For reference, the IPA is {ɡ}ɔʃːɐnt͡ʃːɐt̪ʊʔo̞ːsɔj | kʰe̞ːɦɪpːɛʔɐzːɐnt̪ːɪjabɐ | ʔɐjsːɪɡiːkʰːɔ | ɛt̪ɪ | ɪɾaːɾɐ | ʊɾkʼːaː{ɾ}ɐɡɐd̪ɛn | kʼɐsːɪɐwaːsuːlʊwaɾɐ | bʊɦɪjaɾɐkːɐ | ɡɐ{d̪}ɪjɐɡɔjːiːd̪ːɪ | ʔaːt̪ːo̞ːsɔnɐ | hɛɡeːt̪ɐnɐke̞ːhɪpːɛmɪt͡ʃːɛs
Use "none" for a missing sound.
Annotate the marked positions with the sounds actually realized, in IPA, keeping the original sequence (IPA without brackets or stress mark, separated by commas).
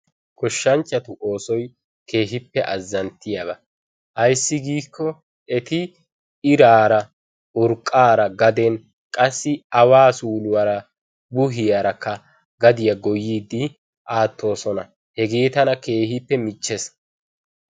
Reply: k, ɾ, d̪